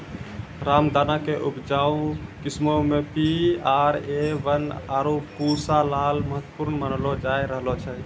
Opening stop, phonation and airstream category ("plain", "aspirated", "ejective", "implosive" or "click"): plain